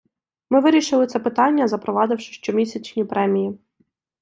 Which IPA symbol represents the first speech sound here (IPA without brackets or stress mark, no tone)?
m